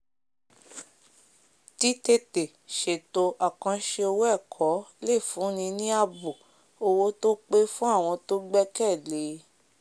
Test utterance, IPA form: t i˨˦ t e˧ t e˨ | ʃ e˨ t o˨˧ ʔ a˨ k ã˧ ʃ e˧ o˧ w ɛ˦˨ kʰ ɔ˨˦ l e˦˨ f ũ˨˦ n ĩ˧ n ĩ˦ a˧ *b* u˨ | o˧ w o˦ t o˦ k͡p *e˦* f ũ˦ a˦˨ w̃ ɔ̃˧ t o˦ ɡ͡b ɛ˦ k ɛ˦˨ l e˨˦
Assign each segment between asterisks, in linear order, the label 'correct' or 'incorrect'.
correct, correct

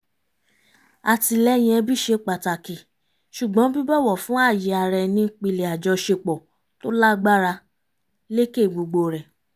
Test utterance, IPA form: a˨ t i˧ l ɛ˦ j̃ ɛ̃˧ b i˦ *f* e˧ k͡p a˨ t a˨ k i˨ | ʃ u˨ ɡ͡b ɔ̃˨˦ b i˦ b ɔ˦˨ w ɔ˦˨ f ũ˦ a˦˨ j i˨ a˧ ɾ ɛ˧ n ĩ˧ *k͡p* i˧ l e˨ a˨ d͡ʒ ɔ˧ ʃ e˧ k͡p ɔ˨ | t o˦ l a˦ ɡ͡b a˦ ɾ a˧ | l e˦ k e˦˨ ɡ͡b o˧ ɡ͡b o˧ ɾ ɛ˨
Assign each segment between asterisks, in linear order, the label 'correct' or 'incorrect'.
incorrect, correct

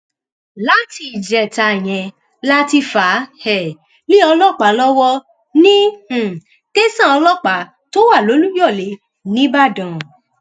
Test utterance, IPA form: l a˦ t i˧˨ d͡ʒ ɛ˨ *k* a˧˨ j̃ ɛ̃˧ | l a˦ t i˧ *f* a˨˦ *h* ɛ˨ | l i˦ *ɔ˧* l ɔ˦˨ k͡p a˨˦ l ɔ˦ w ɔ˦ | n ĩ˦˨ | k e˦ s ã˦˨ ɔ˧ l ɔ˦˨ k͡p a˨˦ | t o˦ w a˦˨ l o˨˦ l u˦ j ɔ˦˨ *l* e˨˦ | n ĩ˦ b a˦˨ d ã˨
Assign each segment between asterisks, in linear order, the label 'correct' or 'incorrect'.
incorrect, correct, correct, correct, correct

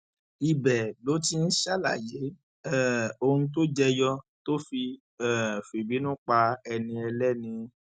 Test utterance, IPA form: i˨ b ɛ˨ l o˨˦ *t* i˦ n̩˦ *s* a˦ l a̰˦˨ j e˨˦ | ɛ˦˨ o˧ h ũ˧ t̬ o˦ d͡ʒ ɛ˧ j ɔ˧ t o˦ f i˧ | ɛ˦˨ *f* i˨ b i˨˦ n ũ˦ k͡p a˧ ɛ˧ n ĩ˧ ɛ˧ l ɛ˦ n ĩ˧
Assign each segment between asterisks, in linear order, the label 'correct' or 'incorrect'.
correct, incorrect, correct

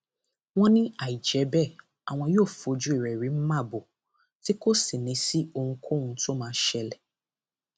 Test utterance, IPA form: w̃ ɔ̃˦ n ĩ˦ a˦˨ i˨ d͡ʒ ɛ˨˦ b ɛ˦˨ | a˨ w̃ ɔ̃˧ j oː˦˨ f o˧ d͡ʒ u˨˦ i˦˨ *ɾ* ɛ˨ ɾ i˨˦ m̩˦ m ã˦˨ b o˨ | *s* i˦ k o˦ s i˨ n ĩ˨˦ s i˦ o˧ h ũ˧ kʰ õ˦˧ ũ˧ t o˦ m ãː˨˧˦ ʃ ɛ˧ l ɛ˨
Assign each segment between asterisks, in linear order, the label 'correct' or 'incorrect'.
correct, incorrect

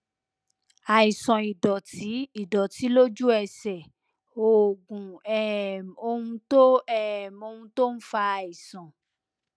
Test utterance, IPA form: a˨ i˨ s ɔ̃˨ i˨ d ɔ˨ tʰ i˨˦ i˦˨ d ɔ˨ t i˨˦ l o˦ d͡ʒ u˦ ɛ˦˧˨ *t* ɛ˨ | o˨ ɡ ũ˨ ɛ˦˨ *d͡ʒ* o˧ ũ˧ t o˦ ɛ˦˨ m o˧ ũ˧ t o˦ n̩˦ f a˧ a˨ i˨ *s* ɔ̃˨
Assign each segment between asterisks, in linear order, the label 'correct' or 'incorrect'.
incorrect, incorrect, correct

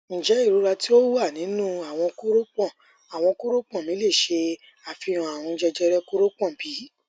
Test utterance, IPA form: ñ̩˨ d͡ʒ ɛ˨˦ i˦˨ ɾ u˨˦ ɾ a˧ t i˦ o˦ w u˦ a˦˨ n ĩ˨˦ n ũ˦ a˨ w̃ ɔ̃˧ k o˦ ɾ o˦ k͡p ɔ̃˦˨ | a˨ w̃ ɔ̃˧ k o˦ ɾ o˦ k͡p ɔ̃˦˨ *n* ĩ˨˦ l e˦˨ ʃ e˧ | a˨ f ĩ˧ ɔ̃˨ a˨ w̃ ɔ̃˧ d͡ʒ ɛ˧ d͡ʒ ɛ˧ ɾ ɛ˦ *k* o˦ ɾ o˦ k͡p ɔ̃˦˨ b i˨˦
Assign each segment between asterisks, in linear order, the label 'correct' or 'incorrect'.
incorrect, correct

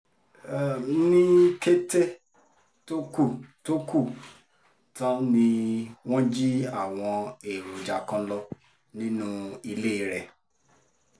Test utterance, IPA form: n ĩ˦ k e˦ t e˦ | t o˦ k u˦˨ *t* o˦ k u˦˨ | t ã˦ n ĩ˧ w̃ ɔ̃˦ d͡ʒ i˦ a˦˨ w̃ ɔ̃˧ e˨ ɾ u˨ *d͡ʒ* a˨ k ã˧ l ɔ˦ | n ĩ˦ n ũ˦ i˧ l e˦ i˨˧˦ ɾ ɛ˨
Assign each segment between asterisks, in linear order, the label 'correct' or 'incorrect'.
correct, correct

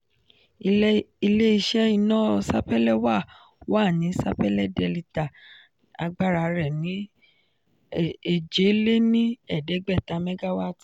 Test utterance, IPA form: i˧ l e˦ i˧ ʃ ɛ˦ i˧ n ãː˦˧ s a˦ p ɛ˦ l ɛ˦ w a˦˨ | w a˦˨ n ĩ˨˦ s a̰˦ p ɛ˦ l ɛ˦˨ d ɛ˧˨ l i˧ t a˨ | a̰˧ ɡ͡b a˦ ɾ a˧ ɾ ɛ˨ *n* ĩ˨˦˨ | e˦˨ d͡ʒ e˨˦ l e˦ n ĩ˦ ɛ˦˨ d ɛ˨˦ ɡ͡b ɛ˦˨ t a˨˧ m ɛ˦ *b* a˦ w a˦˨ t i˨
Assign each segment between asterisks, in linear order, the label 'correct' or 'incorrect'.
correct, incorrect

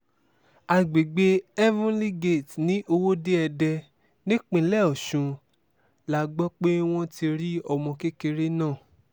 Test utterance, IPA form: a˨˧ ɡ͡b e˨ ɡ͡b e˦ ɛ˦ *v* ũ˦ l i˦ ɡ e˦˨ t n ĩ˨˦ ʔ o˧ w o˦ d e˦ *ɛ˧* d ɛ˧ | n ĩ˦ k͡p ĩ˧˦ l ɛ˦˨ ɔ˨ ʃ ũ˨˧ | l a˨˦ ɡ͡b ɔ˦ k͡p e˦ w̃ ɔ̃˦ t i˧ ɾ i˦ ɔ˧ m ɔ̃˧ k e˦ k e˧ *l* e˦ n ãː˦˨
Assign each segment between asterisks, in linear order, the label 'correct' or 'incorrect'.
correct, correct, incorrect

